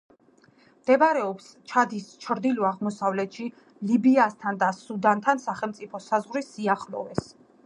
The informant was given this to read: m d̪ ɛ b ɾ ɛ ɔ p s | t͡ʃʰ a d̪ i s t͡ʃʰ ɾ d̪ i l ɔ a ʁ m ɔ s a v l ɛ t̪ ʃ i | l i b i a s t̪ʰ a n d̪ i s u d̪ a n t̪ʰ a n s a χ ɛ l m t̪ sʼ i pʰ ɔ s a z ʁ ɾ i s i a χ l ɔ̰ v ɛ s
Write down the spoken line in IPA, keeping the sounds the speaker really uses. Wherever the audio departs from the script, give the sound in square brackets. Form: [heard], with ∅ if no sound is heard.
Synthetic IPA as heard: m d̪ ɛ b ɾ ɛ ɔ p s | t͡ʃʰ a d̪ i s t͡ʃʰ ɾ d̪ i l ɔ a ʁ m ɔ s a v l ɛ t̪ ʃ i | l i b i a s t̪ʰ a n d̪ [a] s u d̪ a n t̪ʰ a n s a χ ɛ l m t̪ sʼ i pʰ ɔ s a z ʁ ɾ i s i a χ l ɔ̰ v ɛ s